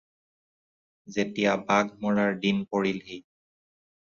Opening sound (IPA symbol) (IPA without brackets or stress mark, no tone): z